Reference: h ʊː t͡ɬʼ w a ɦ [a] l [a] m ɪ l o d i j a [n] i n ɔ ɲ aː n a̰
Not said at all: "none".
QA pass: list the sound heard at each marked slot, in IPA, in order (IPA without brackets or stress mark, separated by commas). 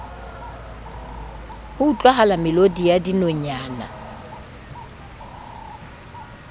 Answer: a, a, d